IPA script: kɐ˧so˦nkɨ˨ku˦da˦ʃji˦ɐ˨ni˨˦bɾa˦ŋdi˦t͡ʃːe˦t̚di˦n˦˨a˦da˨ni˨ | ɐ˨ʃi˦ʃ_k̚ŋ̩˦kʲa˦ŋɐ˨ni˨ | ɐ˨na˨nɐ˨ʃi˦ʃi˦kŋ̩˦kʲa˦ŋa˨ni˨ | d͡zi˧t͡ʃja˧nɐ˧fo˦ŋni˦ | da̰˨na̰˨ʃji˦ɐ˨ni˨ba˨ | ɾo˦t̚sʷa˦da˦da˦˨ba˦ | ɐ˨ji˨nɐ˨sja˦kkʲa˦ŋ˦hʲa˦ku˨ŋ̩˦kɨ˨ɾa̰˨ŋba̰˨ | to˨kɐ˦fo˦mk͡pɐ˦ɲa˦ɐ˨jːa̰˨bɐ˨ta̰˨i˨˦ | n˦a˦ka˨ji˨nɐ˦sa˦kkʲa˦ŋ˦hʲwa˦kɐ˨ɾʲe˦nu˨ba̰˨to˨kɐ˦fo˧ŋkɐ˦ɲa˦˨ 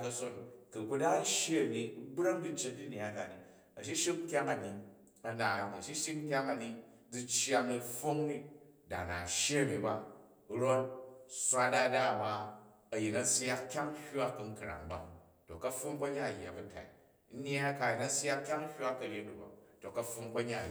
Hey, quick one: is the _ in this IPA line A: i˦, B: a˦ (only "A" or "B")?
A